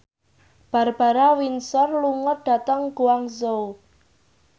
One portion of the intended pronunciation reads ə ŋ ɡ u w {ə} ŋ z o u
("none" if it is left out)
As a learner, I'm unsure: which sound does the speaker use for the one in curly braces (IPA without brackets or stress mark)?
a